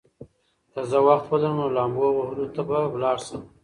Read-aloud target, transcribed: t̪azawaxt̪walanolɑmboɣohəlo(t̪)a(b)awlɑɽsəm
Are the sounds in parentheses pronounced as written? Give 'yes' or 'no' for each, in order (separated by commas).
yes, yes